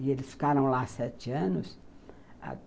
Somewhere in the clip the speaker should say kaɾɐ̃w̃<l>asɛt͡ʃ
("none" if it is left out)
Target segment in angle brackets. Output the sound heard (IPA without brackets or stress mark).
l